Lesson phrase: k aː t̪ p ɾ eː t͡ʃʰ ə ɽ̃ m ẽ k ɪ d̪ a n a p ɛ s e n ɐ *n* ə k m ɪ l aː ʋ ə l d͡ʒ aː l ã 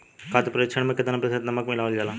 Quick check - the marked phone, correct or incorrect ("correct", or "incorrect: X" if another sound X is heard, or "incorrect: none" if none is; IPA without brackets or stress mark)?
incorrect: m